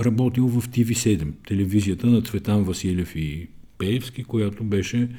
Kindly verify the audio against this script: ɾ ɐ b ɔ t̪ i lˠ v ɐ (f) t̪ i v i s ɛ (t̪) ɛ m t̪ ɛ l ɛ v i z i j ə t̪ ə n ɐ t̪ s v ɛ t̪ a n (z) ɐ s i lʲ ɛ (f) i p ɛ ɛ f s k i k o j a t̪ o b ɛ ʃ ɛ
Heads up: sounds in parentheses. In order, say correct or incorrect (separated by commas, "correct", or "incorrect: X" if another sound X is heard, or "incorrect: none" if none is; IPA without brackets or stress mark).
correct, incorrect: d̪, incorrect: v, correct